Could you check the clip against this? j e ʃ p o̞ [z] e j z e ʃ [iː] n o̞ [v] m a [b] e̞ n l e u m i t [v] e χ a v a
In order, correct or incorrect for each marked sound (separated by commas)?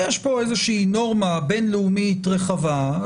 incorrect, correct, incorrect, correct, incorrect